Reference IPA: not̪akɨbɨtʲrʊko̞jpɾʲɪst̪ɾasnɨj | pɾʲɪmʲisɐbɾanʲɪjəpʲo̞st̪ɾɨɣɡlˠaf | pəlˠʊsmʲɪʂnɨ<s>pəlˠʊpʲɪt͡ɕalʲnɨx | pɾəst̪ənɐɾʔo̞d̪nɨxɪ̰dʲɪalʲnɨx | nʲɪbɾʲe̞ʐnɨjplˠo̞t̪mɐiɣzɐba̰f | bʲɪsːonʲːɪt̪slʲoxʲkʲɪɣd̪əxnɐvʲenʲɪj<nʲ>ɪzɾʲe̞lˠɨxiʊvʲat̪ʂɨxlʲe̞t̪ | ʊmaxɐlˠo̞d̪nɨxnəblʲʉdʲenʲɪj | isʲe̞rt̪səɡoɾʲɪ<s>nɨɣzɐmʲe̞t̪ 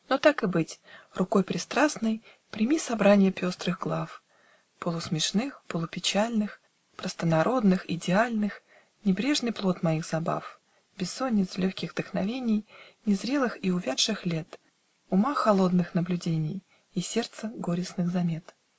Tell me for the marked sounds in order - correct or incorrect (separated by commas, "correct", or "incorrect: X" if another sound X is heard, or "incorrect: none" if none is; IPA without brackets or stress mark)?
incorrect: x, correct, correct